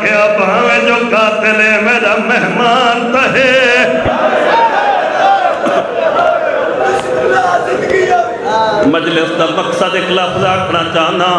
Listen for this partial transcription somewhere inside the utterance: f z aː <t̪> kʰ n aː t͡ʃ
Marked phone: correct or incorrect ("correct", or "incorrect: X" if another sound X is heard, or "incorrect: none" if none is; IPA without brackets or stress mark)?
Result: incorrect: none